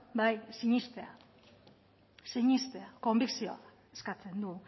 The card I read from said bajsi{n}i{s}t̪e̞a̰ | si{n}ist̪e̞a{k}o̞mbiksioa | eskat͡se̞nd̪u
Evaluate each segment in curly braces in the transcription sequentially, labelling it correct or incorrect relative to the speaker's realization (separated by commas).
incorrect, correct, incorrect, correct